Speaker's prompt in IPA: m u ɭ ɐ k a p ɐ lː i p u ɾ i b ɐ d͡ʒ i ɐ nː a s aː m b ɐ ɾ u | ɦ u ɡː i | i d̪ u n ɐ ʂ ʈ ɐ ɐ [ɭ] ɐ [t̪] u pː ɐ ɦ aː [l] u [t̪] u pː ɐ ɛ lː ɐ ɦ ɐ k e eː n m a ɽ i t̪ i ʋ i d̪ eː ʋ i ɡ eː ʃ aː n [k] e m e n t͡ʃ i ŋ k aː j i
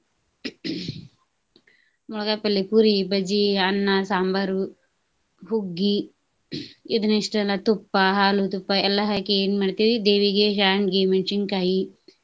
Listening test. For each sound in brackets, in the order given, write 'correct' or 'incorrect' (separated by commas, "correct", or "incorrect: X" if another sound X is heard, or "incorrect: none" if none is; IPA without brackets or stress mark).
incorrect: l, correct, correct, correct, incorrect: ɡ